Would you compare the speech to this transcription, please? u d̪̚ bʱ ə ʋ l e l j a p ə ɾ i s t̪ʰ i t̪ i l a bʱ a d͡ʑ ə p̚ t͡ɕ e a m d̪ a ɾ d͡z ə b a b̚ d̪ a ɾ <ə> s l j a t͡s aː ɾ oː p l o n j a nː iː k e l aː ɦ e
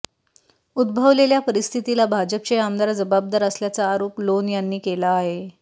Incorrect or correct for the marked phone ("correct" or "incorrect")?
correct